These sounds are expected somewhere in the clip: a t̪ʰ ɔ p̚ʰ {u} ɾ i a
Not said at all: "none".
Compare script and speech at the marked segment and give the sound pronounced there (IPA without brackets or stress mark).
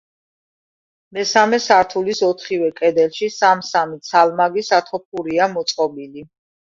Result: u